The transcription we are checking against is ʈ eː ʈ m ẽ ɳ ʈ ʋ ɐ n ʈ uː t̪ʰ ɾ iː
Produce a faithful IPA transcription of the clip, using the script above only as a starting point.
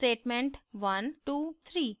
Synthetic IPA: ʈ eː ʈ m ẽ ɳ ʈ ʋ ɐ n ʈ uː t̪ʰ ɾ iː